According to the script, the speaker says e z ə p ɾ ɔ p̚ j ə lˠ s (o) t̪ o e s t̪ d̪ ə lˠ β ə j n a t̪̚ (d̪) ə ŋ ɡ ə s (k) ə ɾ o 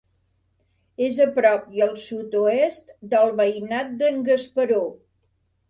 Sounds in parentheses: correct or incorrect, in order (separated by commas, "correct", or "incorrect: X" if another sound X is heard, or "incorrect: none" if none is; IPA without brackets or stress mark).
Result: incorrect: u, correct, incorrect: p